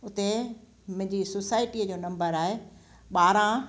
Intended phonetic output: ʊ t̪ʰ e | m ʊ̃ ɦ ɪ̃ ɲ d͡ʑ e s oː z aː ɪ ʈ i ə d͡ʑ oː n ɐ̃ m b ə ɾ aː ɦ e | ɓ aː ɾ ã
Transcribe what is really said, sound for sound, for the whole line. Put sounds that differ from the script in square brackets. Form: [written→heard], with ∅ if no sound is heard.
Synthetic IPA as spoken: ʊ [t̪ʰ→t̪] e | m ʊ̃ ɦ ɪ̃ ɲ d͡ʑ [e→i] s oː [z→s] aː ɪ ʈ i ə d͡ʑ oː n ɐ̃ m b ə ɾ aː ɦ e | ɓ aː ɾ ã